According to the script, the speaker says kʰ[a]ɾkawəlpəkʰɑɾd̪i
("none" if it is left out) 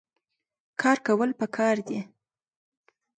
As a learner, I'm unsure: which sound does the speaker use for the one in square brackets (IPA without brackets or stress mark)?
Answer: ɑ